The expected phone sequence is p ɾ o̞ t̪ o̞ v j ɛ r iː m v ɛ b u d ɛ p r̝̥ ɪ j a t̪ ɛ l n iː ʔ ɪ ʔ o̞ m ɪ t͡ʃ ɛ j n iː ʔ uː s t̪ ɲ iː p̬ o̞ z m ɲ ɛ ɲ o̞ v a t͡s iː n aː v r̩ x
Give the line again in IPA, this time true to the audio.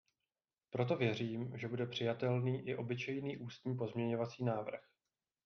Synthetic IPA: p ɾ o̞ t̪ o̞ v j ɛ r iː m ʒ ɛ b u d ɛ p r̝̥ ɪ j a t̪ ɛ l n iː ʔ ɪ ʔ o̞ b ɪ t͡ʃ ɛ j n iː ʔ uː s t̪ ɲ iː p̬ o̞ z m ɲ ɛ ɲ o̞ v a t͡s iː n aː v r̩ x